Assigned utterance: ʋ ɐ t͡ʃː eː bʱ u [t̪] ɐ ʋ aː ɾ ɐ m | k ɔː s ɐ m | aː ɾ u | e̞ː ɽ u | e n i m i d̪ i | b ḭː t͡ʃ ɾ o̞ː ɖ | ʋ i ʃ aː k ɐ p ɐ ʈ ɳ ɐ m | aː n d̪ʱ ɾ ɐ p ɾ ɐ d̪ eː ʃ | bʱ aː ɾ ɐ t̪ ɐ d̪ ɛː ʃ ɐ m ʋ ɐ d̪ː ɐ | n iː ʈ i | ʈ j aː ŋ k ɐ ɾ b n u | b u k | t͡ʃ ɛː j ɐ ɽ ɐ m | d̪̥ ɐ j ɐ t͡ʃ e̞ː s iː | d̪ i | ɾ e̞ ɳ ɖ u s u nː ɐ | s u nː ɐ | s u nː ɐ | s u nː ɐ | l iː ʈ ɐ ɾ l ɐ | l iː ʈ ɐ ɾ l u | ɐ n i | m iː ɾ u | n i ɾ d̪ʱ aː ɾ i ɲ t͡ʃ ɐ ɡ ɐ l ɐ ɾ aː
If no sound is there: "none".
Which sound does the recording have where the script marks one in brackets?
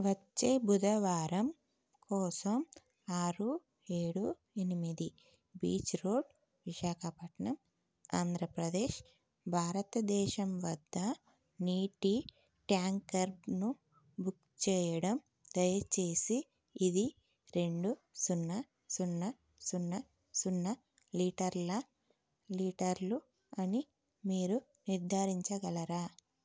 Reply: d̪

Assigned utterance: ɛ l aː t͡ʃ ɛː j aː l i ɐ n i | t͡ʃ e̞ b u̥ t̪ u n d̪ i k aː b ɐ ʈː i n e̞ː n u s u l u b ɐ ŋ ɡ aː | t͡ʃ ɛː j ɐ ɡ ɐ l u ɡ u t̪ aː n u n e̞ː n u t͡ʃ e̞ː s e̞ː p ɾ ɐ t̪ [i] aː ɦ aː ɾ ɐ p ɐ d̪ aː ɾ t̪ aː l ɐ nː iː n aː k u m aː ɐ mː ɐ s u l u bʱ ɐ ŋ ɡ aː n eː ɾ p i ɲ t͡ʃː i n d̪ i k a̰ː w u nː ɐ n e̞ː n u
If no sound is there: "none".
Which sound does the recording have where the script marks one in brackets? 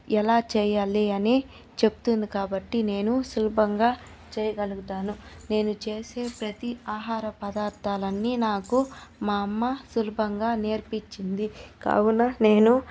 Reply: i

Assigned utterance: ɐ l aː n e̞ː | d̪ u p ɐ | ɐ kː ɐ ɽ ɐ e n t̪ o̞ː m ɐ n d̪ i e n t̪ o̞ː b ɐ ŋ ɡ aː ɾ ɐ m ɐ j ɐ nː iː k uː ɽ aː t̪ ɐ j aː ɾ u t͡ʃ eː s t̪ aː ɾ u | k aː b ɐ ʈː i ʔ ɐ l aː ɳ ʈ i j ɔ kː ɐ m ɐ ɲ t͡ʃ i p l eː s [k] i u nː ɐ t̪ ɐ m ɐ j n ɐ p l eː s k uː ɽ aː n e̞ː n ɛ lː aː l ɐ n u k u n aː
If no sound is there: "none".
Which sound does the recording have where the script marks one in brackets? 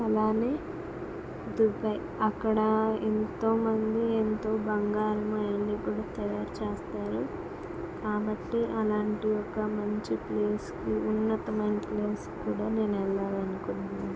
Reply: k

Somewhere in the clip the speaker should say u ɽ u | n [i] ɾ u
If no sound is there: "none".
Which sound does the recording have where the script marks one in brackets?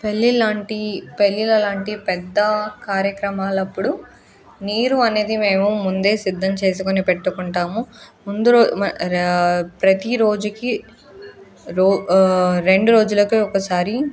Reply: iː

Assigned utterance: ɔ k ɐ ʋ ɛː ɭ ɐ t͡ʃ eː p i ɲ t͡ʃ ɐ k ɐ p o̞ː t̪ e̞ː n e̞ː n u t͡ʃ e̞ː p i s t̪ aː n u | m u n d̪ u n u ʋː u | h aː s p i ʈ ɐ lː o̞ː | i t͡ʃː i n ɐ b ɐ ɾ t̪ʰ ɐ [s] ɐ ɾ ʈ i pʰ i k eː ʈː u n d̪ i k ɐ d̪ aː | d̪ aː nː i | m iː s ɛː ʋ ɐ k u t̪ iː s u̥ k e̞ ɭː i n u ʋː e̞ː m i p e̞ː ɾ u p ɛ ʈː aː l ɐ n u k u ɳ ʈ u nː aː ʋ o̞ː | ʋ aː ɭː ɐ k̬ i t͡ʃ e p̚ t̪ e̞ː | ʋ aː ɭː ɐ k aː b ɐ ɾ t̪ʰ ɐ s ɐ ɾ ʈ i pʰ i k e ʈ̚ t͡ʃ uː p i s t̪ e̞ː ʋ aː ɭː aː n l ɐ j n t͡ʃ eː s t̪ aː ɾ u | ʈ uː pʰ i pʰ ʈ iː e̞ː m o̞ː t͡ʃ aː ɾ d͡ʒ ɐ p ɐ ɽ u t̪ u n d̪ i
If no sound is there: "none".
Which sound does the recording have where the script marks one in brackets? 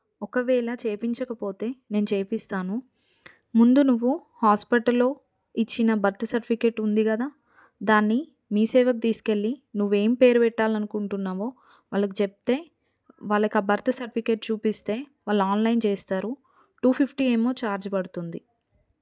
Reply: s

